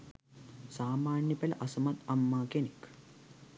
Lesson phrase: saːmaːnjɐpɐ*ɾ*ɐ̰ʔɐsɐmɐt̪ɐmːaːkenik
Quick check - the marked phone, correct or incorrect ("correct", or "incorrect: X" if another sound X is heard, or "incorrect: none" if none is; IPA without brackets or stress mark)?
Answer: incorrect: l